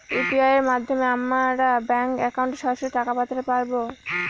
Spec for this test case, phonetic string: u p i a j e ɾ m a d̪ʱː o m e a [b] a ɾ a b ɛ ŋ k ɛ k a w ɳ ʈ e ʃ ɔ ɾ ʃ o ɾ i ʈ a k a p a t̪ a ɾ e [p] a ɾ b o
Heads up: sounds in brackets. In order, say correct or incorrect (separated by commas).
incorrect, correct